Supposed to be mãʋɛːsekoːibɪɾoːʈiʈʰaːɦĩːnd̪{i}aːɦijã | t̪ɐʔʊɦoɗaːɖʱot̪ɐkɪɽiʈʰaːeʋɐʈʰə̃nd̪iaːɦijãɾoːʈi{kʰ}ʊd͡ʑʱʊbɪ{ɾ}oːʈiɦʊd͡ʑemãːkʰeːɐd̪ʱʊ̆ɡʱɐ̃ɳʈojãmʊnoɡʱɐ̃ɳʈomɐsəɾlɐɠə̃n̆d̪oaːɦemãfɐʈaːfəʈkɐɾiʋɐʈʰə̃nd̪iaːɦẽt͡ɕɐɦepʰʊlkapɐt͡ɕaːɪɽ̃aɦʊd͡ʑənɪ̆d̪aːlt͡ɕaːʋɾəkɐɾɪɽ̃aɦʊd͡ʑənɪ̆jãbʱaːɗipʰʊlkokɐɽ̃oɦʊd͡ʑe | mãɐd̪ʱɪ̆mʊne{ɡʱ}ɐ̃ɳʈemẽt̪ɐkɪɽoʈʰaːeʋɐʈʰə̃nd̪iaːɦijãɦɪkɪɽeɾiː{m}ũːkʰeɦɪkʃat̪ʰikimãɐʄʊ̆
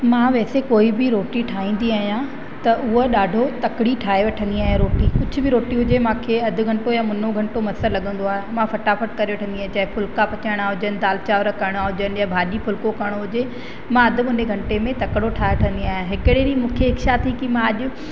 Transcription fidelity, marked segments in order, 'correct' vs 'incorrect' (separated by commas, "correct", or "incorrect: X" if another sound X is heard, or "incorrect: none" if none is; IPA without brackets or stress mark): correct, incorrect: k, correct, correct, correct